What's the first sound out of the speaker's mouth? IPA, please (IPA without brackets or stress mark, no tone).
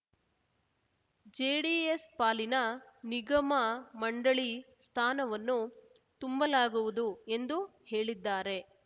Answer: d͡ʒ